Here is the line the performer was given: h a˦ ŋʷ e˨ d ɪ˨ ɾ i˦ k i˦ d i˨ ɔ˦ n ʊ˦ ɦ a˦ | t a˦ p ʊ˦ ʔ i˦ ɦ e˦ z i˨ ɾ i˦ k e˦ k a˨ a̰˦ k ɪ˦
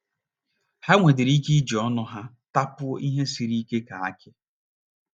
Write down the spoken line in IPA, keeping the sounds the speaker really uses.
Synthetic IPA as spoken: h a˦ ŋʷ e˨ d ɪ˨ ɾ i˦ k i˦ d͡ʒ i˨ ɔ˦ n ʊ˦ ɦ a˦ | t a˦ p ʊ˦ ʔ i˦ ɦ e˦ s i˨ ɾ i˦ k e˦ k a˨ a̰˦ k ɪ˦